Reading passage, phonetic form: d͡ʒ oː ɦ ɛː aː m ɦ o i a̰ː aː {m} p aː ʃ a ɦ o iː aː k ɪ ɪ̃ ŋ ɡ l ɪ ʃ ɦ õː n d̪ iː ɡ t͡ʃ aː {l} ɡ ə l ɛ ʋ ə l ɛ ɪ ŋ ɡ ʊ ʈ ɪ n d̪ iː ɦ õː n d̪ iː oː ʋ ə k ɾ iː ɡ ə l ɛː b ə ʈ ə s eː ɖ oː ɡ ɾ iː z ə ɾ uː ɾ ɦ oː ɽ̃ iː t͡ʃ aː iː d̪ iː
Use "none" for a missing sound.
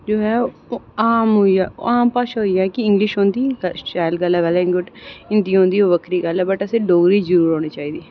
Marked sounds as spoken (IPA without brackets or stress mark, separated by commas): m, l